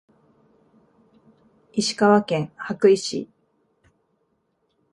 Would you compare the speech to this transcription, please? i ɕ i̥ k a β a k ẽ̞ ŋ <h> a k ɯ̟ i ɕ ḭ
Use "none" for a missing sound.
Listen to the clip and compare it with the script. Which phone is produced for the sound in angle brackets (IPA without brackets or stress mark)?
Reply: h